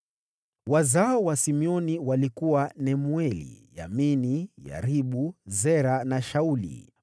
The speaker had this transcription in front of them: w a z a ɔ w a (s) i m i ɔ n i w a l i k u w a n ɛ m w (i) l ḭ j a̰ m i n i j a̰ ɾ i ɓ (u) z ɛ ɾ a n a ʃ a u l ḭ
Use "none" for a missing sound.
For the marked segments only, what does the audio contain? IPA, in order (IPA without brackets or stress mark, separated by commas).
s, ɛ, u